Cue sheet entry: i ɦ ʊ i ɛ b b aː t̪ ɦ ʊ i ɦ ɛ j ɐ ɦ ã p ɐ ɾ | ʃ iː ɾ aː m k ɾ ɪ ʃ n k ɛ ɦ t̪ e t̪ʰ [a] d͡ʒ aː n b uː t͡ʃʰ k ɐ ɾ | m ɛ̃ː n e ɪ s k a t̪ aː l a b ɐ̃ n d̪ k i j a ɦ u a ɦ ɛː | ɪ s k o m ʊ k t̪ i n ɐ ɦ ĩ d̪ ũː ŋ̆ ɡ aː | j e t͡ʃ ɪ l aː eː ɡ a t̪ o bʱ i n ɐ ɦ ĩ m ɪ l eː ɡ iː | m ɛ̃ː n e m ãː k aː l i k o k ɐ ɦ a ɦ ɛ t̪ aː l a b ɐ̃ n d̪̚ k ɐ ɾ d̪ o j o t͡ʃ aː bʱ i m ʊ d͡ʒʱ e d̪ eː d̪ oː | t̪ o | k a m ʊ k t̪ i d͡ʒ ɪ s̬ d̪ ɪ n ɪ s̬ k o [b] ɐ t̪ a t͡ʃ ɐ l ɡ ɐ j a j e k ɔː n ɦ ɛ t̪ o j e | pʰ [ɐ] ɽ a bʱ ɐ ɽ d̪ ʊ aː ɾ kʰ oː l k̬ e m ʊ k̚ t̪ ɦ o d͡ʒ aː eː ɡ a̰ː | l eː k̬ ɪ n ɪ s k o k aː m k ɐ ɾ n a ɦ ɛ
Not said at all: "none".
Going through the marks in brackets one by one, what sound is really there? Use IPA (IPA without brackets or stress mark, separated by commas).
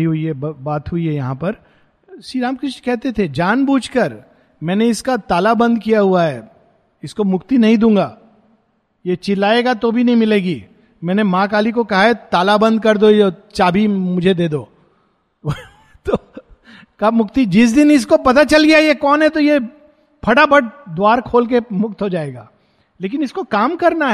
e, p, ɐ